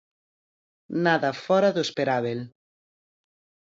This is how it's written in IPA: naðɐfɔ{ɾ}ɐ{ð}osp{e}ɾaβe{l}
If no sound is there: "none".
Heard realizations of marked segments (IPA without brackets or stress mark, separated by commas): ɾ, ð, e, l